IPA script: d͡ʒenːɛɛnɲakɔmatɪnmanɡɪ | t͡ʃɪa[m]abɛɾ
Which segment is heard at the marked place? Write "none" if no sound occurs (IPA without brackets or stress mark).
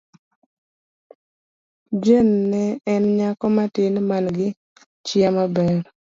m